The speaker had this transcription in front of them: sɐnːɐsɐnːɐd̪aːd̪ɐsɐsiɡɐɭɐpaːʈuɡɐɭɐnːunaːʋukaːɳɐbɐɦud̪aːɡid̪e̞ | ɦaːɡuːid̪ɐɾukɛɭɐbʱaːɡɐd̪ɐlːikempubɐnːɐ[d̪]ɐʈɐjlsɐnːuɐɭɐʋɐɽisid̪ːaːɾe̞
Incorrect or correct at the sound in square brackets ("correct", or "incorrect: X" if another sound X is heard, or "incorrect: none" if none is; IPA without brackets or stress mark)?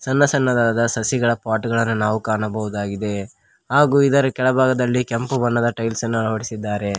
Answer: correct